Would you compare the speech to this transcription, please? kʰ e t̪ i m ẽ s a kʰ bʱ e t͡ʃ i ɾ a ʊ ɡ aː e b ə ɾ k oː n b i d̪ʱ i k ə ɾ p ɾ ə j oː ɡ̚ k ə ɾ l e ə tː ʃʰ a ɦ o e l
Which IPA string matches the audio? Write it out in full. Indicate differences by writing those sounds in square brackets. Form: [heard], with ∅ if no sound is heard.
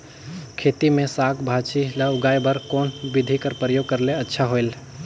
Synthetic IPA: kʰ e t̪ i m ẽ s a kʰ bʱ [a] t͡ʃ i [l] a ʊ ɡ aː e b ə ɾ k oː n b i d̪ʱ i k ə ɾ p ɾ ə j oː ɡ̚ k ə ɾ l e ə tː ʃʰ a ɦ o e l

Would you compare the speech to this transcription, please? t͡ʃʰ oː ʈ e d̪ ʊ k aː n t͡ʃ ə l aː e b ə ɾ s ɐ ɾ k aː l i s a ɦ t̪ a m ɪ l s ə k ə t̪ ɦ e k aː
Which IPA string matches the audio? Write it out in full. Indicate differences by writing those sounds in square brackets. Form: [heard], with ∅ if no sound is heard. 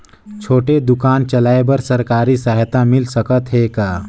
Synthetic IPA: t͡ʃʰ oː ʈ e d̪ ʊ k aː n t͡ʃ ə l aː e b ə ɾ s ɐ ɾ k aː [ɾ] i s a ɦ t̪ a m ɪ l s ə k ə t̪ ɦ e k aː

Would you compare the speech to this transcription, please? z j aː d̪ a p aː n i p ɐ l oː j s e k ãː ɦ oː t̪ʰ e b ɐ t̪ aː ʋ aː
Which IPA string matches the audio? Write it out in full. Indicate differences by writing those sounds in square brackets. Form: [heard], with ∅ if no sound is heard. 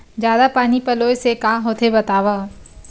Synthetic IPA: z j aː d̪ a p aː n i p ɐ l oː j s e k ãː ɦ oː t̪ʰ e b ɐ t̪ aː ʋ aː

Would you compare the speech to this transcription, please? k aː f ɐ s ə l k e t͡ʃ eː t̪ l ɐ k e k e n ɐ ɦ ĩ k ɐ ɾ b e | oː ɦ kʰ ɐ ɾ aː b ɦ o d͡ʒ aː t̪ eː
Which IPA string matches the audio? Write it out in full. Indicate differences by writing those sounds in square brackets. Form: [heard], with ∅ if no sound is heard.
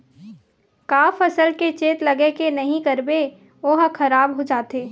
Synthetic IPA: k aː f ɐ s ə l k e t͡ʃ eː t̪ l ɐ [ɡ] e k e n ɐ ɦ ĩ k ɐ ɾ b e | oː ɦ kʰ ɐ ɾ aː b ɦ o d͡ʒ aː t̪ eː

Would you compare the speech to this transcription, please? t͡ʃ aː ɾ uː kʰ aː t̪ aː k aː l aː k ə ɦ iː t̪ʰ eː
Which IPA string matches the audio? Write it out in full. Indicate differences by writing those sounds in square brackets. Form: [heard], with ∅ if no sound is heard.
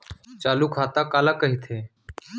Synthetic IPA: t͡ʃ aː [l] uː kʰ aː t̪ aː k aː l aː k ə ɦ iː t̪ʰ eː

